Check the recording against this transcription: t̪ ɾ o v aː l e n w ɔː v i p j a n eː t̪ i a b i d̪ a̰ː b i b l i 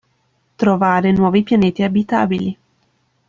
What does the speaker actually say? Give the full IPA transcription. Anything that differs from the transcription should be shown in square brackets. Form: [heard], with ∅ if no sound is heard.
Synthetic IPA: t̪ ɾ o v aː [ɾ] e n w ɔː v i p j a n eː t̪ i a b i [t̪] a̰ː b i [∅] l i